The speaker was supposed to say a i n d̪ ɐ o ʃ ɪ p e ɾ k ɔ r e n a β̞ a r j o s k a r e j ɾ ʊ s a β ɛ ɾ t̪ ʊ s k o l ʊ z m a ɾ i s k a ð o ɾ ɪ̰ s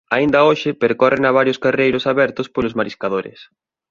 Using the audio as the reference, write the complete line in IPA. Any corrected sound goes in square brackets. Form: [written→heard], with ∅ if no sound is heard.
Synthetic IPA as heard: a i n d̪ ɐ o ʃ ɪ p e ɾ k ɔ r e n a β̞ a [r→ɾ] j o s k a r e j ɾ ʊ s a β ɛ ɾ t̪ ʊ s [k→p] o l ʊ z m a ɾ i s k a ð o ɾ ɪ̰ s